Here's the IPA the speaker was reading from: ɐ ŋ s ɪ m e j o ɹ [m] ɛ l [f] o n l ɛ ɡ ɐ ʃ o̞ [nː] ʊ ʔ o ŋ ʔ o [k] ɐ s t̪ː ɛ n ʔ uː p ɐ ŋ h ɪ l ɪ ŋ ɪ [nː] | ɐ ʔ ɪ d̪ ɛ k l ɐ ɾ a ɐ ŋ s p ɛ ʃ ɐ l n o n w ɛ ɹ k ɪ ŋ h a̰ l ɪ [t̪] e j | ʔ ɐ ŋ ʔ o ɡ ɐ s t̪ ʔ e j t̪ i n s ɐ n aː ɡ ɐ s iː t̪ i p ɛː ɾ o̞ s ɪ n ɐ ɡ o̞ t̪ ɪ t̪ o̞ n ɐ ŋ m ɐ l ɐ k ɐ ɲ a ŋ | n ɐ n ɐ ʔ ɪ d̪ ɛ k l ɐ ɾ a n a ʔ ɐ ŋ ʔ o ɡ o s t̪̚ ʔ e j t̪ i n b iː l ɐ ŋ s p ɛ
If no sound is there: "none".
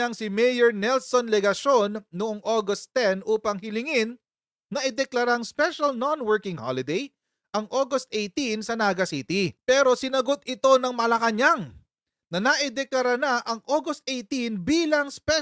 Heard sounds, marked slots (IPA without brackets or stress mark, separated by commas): n, s, nː, ɡ, nː, d̪